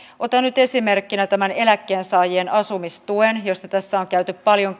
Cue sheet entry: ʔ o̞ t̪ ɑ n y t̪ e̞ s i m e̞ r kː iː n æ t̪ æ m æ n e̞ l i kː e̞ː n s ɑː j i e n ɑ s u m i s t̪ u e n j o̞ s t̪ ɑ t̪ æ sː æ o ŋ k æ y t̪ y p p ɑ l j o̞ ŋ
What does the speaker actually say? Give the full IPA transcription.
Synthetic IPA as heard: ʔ o̞ t̪ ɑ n y t̪ e̞ s i m e̞ r kː i n æ t̪ æ m æ n e̞ l æ kː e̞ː n s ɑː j i e n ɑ s u m i s t̪ u e n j o̞ s t̪ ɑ t̪ æ sː æ o ŋ k æ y t̪ y p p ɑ l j o̞ ŋ